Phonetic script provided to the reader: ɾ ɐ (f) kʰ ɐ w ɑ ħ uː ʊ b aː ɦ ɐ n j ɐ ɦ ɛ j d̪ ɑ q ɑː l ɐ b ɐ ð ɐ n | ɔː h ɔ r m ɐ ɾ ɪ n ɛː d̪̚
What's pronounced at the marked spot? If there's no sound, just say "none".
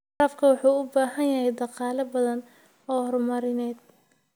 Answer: f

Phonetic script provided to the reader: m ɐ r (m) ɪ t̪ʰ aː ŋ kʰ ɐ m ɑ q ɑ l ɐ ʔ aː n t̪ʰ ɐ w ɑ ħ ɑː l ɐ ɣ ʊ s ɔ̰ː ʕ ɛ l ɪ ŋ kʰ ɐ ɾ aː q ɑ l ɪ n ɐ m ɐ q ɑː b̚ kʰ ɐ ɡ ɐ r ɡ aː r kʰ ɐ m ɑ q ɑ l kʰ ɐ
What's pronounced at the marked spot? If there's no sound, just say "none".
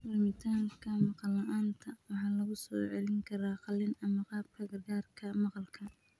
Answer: m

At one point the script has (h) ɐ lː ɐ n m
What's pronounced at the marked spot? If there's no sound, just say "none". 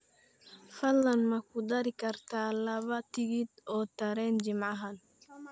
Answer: f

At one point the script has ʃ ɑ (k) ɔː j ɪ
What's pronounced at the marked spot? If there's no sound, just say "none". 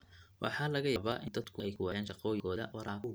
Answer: q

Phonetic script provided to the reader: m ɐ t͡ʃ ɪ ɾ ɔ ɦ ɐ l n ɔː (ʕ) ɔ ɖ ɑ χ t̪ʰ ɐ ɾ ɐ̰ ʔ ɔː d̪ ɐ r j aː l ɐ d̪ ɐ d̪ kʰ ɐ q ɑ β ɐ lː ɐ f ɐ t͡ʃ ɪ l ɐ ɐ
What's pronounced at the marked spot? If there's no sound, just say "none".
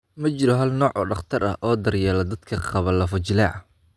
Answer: ʕ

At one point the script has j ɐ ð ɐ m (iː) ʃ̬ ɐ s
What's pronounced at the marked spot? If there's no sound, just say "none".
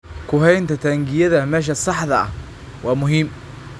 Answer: ɛː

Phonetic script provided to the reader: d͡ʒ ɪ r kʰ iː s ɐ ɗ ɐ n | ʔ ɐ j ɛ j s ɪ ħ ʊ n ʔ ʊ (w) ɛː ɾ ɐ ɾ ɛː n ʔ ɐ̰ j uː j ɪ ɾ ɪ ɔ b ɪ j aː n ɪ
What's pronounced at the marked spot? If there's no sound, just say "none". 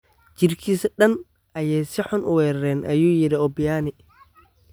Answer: w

